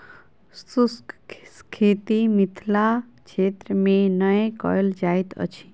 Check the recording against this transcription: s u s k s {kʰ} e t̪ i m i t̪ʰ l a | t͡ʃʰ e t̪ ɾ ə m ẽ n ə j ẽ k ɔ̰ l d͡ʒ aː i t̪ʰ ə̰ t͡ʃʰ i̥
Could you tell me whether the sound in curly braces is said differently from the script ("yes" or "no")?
no